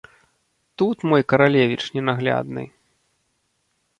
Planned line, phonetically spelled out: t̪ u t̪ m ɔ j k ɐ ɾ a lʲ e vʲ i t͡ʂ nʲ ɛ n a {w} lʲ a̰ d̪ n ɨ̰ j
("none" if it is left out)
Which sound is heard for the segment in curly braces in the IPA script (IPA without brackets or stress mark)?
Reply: ɣ